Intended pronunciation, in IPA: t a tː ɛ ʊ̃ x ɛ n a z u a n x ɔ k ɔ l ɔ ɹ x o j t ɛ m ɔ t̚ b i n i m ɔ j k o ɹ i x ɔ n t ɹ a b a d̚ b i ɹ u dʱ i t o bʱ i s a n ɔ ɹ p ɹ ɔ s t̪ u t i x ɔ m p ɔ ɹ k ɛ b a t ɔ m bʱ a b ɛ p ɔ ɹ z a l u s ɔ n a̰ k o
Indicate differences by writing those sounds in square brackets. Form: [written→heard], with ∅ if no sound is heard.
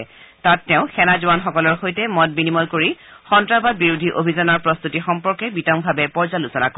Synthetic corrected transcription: t a tː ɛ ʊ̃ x ɛ n a z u a n x ɔ k ɔ l ɔ ɹ x o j t ɛ m ɔ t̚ b i n i m ɔ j k o ɹ i x ɔ n t ɹ a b a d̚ b i ɹ u dʱ i [t→ʔ] o bʱ i [s→z] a n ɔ ɹ p ɹ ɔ s t̪ u t i x ɔ m p ɔ ɹ k ɛ b [a→i] t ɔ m bʱ a b ɛ p ɔ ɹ z a l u s ɔ n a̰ k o